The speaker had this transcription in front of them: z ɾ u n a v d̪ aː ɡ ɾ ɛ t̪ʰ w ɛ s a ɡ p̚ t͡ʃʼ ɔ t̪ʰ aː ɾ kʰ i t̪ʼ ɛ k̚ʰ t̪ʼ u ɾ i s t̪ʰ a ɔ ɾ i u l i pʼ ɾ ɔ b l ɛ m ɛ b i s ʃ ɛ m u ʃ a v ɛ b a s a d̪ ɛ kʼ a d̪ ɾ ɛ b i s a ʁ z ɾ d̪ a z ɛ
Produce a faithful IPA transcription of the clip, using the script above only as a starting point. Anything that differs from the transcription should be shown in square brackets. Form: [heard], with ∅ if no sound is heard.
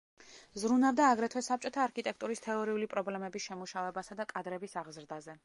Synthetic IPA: z ɾ u n a v d̪ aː ɡ ɾ ɛ t̪ʰ w ɛ s a [∅] p̚ t͡ʃʼ ɔ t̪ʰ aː ɾ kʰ i t̪ʼ ɛ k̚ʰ t̪ʼ u ɾ i s t̪ʰ [ɛ] ɔ ɾ i u l i pʼ ɾ ɔ b l ɛ m ɛ b i s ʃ ɛ m u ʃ a v ɛ b a s a d̪ [a] kʼ a d̪ ɾ ɛ b i s a ʁ z ɾ d̪ a z ɛ